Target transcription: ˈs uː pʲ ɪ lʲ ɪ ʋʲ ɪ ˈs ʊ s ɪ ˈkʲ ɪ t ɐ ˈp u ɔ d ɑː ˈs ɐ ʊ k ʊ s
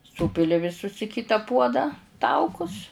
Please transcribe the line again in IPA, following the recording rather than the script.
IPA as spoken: ˈs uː pʲ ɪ lʲ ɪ ʋʲ ɪ ˈs ʊ s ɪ ˈkʲ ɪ t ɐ ˈp u ɔ d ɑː ˈt ɐ ʊ k ʊ s